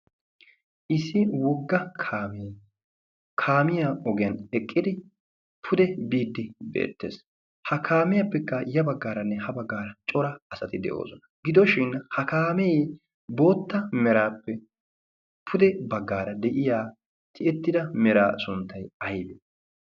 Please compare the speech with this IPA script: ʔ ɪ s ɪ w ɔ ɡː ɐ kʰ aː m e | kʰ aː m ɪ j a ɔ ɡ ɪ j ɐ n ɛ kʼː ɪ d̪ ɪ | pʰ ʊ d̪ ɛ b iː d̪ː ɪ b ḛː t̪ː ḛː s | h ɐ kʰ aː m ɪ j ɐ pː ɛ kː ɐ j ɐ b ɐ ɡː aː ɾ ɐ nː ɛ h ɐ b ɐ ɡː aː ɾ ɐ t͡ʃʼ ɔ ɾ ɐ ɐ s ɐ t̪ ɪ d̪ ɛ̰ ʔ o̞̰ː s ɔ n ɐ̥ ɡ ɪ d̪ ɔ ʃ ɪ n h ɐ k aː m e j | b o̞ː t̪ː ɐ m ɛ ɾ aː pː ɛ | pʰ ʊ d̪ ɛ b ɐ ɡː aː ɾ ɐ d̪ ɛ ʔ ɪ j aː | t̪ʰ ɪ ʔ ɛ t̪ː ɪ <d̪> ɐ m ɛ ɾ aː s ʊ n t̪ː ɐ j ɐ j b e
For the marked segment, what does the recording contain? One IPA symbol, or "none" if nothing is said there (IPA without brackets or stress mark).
d̪